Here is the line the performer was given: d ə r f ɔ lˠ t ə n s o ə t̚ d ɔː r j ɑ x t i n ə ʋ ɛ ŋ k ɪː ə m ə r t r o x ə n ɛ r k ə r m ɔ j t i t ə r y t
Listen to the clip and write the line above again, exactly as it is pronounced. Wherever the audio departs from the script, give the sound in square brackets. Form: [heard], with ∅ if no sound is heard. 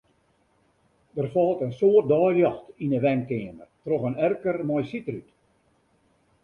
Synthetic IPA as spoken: d ə r f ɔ lˠ t ə n s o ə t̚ d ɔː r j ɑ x t i n ə ʋ ɛ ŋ k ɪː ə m ə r t r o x ə n ɛ r k ə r m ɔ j [s] i t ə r y t